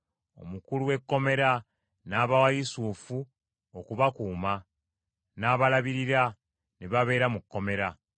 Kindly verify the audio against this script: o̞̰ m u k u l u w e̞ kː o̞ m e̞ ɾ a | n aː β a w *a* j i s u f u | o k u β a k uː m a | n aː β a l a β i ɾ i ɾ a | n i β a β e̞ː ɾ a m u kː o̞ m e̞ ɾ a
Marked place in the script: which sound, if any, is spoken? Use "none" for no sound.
a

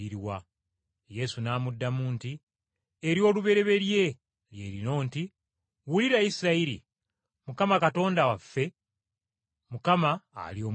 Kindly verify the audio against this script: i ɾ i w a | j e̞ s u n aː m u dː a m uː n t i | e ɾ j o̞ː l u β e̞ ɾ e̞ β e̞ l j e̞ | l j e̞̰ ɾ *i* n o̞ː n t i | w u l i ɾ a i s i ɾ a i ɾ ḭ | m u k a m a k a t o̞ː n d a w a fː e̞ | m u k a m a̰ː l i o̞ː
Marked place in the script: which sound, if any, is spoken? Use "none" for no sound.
i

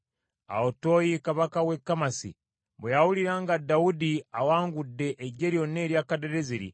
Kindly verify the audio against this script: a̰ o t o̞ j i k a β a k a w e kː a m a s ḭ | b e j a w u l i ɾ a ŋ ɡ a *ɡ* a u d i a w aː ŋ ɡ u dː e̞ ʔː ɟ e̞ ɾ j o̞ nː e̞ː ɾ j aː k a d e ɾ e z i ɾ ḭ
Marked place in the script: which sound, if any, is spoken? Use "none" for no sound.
d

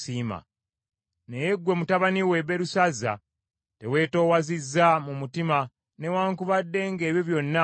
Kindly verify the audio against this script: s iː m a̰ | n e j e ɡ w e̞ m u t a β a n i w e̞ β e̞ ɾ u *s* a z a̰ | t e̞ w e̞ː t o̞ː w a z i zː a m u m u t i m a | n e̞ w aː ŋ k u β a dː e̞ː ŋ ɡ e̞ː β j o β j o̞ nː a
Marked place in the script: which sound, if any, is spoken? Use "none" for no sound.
s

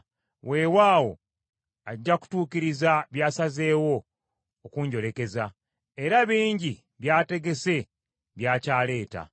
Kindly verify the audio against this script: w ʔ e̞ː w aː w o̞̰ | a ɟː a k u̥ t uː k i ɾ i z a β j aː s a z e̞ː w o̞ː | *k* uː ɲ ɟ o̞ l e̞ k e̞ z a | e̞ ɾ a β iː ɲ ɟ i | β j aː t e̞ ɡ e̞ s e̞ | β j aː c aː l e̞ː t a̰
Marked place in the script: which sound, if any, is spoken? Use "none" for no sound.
k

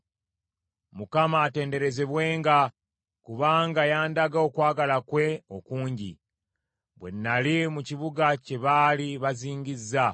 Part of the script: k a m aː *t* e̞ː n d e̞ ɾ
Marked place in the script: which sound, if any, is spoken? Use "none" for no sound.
t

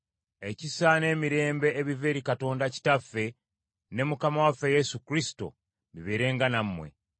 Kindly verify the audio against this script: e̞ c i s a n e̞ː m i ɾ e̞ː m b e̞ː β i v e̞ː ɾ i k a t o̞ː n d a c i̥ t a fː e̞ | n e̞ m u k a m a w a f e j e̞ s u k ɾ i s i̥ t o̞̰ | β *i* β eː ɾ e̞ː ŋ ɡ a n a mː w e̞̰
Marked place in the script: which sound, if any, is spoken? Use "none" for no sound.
i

